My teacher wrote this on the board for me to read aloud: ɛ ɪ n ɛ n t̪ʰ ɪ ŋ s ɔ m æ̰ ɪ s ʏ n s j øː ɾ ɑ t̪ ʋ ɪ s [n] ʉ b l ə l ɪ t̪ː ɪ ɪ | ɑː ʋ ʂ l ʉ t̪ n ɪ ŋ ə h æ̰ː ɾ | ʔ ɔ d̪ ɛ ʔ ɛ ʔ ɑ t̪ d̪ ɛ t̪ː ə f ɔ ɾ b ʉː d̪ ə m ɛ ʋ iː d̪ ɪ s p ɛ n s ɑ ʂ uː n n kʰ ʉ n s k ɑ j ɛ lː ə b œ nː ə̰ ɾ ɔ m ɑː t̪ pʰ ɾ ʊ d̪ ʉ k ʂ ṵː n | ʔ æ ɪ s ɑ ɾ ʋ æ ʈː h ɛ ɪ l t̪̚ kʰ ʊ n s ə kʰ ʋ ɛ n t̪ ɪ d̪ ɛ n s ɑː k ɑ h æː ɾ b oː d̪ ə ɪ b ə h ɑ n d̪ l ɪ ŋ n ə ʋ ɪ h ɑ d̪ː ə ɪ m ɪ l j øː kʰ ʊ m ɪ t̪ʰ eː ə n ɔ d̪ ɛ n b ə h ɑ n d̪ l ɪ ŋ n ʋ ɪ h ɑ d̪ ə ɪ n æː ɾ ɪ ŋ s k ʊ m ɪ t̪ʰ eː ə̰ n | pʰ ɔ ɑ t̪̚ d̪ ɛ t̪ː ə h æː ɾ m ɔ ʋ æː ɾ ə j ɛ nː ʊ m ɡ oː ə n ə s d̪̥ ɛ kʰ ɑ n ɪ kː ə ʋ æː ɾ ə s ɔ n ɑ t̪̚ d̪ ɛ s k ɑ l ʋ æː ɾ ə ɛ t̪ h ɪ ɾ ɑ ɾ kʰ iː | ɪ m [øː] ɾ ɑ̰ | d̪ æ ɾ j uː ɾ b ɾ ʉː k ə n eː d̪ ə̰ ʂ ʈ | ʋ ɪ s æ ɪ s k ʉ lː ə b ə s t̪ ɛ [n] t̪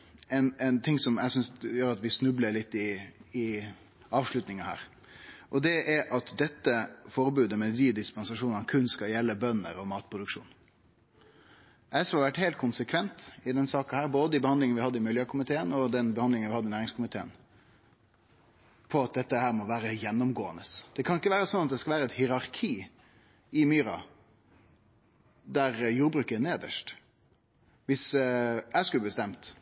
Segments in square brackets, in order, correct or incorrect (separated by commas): correct, incorrect, incorrect